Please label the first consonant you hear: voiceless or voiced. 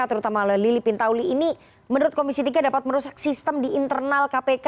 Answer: voiceless